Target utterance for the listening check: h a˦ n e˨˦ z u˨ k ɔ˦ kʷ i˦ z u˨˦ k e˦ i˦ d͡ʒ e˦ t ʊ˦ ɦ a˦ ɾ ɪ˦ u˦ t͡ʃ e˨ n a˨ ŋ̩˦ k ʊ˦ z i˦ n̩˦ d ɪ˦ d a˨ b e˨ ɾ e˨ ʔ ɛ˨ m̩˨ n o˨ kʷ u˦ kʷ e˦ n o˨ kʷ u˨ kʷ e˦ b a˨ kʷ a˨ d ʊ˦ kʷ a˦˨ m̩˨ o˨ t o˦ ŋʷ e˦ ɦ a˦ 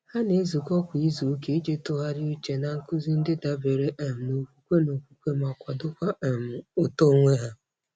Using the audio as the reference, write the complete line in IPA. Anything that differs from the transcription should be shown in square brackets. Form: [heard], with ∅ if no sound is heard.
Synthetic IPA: h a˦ n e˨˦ z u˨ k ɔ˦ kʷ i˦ z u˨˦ k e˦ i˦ d͡ʒ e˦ t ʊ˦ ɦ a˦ ɾ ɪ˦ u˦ t͡ʃ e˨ n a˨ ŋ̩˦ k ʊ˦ z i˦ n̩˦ d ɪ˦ d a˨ b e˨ ɾ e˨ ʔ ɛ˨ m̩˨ n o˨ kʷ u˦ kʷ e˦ n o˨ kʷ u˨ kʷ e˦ [m] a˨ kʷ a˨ d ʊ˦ kʷ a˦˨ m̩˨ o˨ t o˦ ŋʷ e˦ ɦ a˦